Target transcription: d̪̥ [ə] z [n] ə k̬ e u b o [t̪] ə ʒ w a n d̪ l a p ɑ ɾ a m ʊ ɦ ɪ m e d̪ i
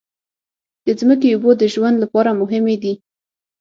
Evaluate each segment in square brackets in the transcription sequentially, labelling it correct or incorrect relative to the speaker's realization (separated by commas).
correct, incorrect, incorrect